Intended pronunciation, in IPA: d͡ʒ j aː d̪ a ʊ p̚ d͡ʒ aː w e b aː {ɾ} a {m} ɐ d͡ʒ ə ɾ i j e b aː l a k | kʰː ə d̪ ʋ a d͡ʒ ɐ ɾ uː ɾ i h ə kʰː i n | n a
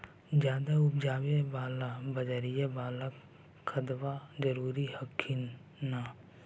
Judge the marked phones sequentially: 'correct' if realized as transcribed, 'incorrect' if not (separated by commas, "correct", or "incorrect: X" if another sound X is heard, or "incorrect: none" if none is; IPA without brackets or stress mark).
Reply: incorrect: l, incorrect: b